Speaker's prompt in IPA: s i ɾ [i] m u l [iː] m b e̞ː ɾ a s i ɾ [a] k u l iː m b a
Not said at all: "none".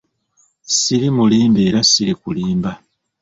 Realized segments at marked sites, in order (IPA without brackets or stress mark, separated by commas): i, iː, i